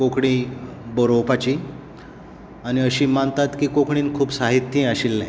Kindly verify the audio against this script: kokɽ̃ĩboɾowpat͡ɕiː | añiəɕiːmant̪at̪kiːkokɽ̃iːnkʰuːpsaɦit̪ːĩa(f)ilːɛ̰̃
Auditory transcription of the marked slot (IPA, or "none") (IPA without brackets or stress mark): ɕ